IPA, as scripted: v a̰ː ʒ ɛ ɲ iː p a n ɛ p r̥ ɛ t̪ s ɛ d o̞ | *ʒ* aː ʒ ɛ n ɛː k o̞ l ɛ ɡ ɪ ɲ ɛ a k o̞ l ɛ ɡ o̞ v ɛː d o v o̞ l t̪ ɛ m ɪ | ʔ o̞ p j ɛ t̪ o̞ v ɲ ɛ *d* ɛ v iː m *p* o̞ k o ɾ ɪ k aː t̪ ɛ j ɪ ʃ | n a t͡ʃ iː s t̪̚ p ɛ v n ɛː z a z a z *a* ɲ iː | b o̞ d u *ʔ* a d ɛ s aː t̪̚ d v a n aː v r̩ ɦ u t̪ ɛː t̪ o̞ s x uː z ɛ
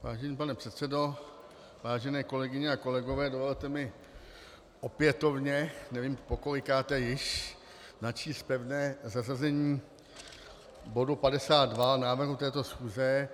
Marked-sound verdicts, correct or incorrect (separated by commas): incorrect, incorrect, correct, incorrect, incorrect